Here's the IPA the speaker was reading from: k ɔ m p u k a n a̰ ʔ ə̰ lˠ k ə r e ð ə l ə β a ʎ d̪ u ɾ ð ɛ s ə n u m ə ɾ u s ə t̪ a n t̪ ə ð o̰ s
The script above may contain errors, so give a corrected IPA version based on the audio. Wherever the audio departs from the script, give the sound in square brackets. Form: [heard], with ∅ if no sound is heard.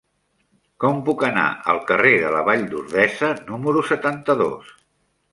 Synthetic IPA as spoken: k ɔ m p u k [ə] n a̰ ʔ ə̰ lˠ k ə r e ð ə l ə β a ʎ d̪ u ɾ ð ɛ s ə n u m ə ɾ u s ə t̪ a n t̪ ə ð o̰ s